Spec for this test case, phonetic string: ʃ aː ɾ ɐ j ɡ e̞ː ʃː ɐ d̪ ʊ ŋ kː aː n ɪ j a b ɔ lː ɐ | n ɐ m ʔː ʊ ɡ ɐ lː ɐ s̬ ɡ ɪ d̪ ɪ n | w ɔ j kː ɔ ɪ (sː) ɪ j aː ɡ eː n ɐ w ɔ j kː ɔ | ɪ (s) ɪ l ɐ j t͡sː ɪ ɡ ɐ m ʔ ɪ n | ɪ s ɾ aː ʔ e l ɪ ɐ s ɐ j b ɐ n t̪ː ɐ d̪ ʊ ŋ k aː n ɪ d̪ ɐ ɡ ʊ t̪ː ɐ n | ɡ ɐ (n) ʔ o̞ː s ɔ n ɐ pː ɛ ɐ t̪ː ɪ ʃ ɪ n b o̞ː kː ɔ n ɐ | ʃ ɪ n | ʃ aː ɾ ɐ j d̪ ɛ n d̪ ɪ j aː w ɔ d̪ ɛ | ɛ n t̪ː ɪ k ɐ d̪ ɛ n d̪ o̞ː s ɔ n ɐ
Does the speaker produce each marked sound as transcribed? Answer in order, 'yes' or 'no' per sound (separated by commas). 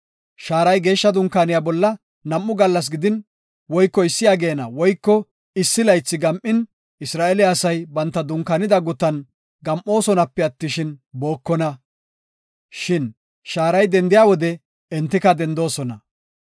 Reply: yes, no, no